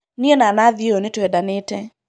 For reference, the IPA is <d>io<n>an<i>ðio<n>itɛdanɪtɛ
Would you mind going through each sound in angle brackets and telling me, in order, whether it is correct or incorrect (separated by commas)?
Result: incorrect, correct, incorrect, correct